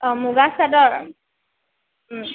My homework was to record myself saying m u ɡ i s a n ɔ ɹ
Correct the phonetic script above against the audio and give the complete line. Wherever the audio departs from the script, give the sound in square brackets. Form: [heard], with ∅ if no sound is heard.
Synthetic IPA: m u ɡ [a] s a [d] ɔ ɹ